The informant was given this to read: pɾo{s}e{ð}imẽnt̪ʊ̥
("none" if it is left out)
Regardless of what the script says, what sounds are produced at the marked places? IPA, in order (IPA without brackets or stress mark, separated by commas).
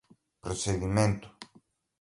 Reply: s, ð